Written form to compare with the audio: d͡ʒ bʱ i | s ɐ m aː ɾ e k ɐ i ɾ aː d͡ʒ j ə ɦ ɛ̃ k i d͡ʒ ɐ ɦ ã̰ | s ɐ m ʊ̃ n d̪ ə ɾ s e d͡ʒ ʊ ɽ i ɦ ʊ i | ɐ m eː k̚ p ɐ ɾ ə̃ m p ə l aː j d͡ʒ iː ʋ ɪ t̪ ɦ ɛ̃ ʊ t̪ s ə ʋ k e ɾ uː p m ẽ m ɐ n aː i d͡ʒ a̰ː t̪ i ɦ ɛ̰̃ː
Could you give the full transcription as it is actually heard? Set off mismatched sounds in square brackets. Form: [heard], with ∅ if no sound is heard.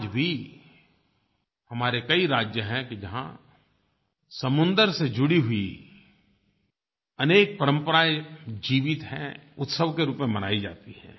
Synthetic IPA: d͡ʒ bʱ i | [h] ɐ m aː ɾ e k ɐ i ɾ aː d͡ʒ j ə ɦ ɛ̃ k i d͡ʒ ɐ ɦ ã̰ | s ɐ m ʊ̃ n d̪ ə ɾ s e d͡ʒ ʊ ɽ i ɦ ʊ i | ɐ [n] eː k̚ p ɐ ɾ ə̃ m p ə [ɾ] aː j d͡ʒ iː ʋ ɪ t̪ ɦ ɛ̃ ʊ t̪ s ə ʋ k e ɾ uː p m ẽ m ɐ n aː i d͡ʒ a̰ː t̪ i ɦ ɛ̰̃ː